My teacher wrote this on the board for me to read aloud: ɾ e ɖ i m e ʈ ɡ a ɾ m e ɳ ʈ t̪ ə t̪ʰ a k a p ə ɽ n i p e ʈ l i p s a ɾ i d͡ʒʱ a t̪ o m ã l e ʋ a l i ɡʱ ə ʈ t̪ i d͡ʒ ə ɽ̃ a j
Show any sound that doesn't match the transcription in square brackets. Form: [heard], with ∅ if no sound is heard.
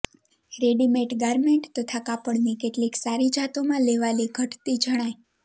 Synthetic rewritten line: ɾ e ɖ i m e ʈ ɡ a ɾ m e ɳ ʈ t̪ ə t̪ʰ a k a p ə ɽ n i [k] e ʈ l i [k] s a ɾ i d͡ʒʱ a t̪ o m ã l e ʋ a l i ɡʱ ə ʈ t̪ i d͡ʒ ə ɽ̃ a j